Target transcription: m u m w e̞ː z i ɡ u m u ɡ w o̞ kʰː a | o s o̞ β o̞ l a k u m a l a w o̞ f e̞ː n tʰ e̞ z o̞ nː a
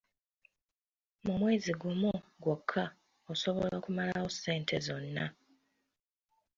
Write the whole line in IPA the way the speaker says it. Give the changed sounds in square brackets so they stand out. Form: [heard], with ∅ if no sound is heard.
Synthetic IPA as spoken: m u m w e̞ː z i ɡ u m u ɡ w o̞ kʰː a | o s o̞ β o̞ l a k u m a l a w o̞ [s] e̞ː n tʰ e̞ z o̞ nː a